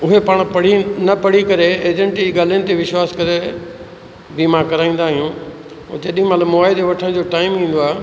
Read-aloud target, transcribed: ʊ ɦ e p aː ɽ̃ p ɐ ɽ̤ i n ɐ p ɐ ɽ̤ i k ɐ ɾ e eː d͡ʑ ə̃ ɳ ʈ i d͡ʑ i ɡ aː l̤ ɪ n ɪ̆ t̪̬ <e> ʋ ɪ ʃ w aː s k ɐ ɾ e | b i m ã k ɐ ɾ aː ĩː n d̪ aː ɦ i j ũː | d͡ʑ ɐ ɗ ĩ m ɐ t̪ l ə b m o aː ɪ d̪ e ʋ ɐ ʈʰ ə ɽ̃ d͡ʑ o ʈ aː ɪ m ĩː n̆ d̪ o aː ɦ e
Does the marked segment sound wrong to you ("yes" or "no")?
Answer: no